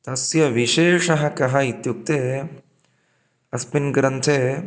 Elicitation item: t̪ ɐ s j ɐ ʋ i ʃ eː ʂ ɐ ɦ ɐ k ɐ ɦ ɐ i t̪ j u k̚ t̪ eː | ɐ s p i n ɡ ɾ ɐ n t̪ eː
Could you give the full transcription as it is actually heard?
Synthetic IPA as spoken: t̪ ɐ s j ɐ ʋ i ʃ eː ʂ ɐ ɦ ɐ k ɐ ɦ ɐ i t̪ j u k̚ t̪ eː | ɐ s p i n ɡ ɾ ɐ n t̪ʰ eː